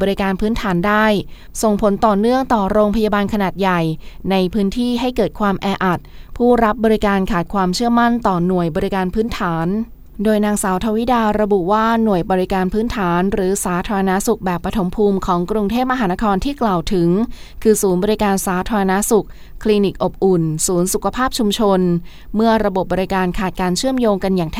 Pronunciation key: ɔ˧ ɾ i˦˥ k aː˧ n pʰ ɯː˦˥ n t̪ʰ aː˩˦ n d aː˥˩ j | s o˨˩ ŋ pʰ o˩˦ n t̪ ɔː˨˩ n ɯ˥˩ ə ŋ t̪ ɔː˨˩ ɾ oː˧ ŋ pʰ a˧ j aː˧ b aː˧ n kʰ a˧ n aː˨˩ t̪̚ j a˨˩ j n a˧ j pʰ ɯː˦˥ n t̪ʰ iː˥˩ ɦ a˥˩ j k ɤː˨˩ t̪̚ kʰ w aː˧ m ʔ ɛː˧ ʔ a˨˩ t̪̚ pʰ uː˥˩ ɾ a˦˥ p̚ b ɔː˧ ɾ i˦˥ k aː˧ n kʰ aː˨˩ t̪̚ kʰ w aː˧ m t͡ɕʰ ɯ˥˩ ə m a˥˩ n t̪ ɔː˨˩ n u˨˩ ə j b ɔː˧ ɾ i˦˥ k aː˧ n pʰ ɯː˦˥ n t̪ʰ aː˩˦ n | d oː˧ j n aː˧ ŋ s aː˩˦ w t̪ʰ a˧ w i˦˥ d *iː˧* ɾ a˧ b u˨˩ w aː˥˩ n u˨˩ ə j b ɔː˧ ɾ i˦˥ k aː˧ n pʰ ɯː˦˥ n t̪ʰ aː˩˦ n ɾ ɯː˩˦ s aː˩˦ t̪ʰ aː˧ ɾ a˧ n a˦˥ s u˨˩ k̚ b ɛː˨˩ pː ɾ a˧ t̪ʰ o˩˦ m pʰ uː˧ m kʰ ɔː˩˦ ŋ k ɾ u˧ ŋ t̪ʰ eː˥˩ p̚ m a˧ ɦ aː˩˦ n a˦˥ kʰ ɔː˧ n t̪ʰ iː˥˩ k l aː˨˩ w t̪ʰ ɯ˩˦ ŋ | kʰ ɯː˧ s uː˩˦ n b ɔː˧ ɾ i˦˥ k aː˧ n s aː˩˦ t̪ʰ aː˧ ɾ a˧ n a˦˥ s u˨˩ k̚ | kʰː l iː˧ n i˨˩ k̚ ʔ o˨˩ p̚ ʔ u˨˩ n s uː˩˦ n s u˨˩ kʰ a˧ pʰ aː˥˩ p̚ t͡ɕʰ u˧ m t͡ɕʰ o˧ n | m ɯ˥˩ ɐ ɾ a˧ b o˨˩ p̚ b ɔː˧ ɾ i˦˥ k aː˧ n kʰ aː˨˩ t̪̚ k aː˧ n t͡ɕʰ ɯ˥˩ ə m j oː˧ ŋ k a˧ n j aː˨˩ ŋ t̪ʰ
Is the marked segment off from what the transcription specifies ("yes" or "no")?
yes